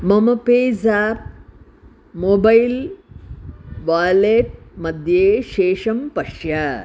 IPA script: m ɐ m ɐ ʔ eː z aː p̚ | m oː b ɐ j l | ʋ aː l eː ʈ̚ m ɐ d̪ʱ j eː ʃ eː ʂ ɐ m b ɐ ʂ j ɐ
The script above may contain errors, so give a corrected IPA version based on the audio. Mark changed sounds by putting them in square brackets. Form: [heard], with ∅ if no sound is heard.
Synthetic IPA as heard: m ɐ m ɐ [p] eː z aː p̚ | m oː b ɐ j l | ʋ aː l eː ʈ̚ m ɐ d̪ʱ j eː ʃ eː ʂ ɐ m [p] ɐ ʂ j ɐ

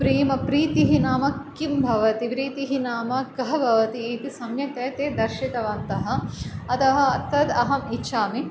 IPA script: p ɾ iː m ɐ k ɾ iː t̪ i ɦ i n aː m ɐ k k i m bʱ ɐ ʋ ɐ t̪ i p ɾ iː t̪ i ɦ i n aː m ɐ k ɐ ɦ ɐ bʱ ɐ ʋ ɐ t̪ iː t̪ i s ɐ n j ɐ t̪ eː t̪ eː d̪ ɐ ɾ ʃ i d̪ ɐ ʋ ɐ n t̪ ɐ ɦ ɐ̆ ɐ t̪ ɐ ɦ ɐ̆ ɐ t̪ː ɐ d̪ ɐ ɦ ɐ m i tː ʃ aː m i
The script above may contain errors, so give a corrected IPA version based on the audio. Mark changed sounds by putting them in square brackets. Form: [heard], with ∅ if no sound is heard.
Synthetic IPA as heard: p ɾ iː m ɐ [p] ɾ iː t̪ i ɦ i n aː m ɐ k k i m bʱ ɐ ʋ ɐ t̪ i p ɾ iː t̪ i ɦ i n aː m ɐ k ɐ ɦ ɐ bʱ ɐ ʋ ɐ t̪ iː t̪ i s ɐ [m] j ɐ t̪ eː t̪ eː d̪ ɐ ɾ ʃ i [t̪] ɐ ʋ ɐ n t̪ ɐ ɦ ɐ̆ ɐ t̪ ɐ ɦ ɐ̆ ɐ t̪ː ɐ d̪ ɐ ɦ ɐ m i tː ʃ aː m i

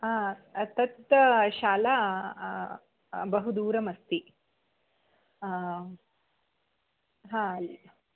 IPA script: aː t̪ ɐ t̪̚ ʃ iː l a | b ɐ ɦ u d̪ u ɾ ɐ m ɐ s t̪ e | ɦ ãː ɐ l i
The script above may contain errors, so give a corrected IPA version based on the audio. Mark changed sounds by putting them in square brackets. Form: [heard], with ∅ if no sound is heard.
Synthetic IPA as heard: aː t̪ ɐ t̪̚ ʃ [aː] l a | b ɐ ɦ u d̪ [uː] ɾ ɐ m ɐ s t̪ [i] | ɦ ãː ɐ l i

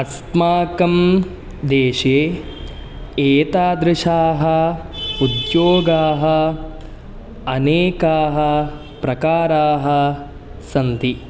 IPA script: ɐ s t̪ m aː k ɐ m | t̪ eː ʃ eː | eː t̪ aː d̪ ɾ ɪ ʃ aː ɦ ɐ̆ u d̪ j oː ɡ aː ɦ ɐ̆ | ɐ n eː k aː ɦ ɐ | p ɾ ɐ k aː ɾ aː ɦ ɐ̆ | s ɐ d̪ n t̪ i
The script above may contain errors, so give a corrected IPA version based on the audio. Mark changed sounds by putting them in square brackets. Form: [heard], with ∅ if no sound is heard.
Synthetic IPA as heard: ɐ s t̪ m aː k ɐ m | [d̪] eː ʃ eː | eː t̪ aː d̪ ɾ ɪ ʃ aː ɦ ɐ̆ u d̪ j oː ɡ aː ɦ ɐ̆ | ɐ n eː k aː ɦ ɐ | p ɾ ɐ k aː ɾ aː ɦ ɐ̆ | s ɐ [∅] n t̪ i

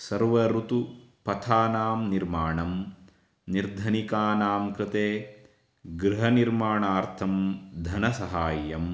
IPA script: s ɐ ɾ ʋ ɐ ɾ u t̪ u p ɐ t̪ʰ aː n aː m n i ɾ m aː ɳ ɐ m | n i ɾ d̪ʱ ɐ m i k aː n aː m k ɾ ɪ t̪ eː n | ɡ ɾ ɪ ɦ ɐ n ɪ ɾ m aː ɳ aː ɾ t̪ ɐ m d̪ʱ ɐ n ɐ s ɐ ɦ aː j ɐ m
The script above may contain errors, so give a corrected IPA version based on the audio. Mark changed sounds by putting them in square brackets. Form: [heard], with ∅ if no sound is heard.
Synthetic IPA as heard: s ɐ ɾ ʋ ɐ ɾ u t̪ u p ɐ t̪ʰ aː n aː m n i ɾ m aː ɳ ɐ m | n i ɾ d̪ʱ ɐ [n] i k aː n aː m k ɾ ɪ t̪ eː [∅] | ɡ ɾ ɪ ɦ ɐ n [i] ɾ m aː ɳ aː ɾ [t̪ʰ] ɐ m d̪ʱ ɐ n ɐ s ɐ ɦ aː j ɐ m

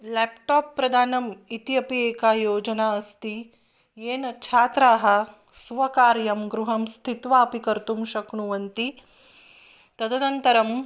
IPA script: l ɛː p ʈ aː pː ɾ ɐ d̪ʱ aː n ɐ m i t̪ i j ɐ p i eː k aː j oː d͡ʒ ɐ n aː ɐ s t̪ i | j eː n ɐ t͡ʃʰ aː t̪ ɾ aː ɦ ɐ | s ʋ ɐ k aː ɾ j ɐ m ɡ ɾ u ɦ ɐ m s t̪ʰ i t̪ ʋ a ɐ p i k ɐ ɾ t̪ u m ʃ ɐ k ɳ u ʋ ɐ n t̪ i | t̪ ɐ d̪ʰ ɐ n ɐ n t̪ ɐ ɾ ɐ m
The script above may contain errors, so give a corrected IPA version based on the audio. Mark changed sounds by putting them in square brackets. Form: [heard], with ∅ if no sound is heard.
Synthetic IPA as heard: l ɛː p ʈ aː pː ɾ ɐ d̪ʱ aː n ɐ m i t̪ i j ɐ p i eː k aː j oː d͡ʒ ɐ n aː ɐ s t̪ i | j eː n ɐ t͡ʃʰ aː t̪ ɾ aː ɦ ɐ | s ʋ ɐ k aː ɾ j ɐ m ɡ ɾ u ɦ ɐ m s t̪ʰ i t̪ ʋ a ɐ p i k ɐ ɾ t̪ u m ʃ ɐ k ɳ u ʋ ɐ n t̪ i | t̪ ɐ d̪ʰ ɐ n ɐ n t̪ ɐ ɾ ɐ m

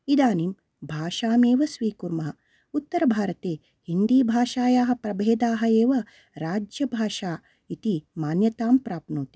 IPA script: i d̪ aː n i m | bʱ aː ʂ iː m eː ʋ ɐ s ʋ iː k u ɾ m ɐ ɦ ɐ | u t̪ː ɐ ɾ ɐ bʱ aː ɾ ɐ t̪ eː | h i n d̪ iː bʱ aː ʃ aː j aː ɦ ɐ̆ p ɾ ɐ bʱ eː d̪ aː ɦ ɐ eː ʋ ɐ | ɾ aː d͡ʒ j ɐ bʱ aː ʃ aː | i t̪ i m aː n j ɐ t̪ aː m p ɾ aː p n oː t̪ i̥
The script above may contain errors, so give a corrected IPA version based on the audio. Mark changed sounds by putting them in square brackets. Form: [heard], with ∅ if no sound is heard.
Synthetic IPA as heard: i d̪ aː n i m | bʱ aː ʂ [aː] m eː ʋ ɐ s ʋ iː k u ɾ m ɐ ɦ ɐ | u t̪ː ɐ ɾ ɐ bʱ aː ɾ ɐ t̪ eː | h i n d̪ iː bʱ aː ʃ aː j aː ɦ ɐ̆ p ɾ ɐ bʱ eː d̪ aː ɦ ɐ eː ʋ ɐ | ɾ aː d͡ʒ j ɐ bʱ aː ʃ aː | i t̪ i m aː n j ɐ t̪ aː m p ɾ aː p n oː t̪ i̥

